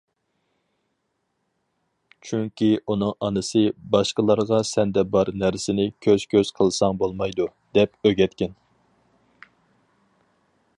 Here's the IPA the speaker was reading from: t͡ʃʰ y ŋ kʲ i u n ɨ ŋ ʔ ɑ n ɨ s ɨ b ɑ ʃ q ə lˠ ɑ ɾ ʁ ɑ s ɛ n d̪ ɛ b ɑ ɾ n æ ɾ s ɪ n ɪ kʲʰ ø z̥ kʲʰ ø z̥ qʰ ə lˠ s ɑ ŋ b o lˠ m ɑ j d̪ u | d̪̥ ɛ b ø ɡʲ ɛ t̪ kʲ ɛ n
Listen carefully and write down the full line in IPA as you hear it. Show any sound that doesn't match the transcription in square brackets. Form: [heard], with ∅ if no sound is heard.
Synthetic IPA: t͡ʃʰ y ŋ kʲ i u n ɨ ŋ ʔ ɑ n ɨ s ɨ b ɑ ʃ q ə lˠ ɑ ɾ ʁ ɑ s ɛ n d̪ ɛ b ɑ ɾ n æ ɾ s ɪ n ɪ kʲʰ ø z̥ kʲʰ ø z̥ qʰ ə lˠ s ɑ ŋ b o lˠ m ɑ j d̪ u | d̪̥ ɛ [p] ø ɡʲ ɛ t̪ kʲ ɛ n

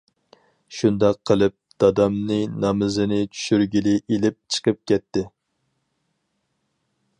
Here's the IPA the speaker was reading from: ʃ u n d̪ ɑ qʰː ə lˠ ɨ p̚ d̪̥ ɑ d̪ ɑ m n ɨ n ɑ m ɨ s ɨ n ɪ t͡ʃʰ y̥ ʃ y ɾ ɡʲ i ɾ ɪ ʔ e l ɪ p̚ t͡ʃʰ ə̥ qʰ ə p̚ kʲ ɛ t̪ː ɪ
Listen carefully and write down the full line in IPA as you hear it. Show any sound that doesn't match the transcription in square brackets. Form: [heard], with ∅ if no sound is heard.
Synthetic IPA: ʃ u n d̪ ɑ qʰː ə lˠ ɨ p̚ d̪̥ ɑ d̪ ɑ m n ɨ n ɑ m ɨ [z] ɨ n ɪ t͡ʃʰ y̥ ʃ y ɾ ɡʲ i [l] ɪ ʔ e l ɪ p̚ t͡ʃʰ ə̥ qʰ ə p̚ kʲ ɛ t̪ː ɪ

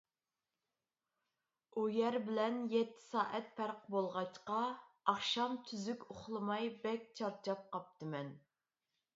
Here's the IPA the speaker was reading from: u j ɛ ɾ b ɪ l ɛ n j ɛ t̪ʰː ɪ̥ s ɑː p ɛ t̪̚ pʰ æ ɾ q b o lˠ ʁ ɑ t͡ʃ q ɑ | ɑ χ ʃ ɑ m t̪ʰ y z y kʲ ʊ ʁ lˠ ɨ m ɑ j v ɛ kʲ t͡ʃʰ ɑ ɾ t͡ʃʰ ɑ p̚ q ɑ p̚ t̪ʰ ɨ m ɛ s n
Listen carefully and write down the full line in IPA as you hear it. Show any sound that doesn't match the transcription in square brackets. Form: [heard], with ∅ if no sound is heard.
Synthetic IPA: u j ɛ ɾ b ɪ l ɛ n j ɛ t̪ʰː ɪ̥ s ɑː [ʔ] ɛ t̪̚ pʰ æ ɾ q b o lˠ ʁ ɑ t͡ʃ q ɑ | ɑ χ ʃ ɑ m t̪ʰ y z y kʲ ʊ [χ] lˠ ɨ m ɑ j [b] ɛ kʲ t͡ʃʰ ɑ ɾ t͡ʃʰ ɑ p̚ q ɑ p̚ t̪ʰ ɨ m ɛ [∅] n

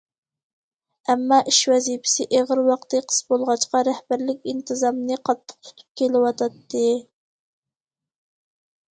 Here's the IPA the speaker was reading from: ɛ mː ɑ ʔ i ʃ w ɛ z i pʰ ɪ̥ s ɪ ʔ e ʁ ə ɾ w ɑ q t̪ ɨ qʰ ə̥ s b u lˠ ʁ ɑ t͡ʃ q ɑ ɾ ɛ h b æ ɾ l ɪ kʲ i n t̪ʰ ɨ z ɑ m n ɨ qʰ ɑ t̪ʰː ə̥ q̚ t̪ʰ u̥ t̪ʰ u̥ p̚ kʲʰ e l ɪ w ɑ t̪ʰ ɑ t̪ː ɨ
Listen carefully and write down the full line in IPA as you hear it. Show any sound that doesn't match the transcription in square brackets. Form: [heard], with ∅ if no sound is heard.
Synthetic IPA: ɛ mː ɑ ʔ i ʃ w ɛ z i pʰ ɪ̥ s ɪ ʔ e ʁ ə ɾ w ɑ q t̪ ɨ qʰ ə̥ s b [o] lˠ ʁ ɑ t͡ʃ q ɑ ɾ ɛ h b æ ɾ l ɪ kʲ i n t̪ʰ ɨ z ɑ m n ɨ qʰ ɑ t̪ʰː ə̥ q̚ t̪ʰ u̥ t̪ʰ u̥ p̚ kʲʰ e l ɪ w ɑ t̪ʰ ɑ t̪ː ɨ

